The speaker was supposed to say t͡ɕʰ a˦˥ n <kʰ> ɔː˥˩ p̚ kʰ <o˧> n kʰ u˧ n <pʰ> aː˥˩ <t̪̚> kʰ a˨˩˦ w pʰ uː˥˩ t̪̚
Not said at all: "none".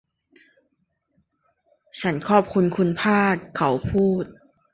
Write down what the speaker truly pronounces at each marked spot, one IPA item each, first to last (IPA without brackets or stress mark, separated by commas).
kʰ, u˧, pʰ, t̪̚